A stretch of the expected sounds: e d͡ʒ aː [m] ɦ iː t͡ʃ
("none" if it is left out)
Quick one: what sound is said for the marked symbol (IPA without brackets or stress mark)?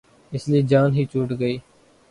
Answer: n